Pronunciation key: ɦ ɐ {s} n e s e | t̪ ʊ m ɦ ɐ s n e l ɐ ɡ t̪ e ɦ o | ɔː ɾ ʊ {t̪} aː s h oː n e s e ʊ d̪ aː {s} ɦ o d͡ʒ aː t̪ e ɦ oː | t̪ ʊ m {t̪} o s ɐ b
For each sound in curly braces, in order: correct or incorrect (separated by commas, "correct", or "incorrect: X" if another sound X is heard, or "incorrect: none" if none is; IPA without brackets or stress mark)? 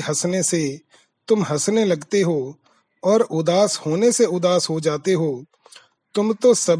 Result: correct, incorrect: d̪, correct, correct